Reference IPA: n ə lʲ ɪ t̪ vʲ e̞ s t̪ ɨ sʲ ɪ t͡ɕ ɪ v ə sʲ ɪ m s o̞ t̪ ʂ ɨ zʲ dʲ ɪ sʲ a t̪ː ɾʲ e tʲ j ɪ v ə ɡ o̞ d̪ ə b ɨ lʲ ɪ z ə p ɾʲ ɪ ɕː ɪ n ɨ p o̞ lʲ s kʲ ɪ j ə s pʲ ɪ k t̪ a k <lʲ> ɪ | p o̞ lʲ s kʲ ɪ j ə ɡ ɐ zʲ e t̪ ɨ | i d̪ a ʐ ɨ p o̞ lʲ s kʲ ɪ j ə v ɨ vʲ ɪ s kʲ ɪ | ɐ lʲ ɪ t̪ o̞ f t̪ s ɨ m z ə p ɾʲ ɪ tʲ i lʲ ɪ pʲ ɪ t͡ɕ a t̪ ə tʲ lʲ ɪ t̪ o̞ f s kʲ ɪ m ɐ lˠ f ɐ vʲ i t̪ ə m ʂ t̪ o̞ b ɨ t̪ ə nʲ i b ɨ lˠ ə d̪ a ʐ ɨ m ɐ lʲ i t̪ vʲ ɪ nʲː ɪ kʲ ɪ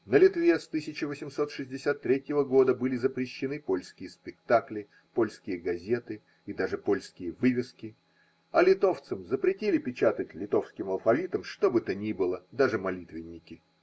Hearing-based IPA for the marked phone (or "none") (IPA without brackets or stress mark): lʲ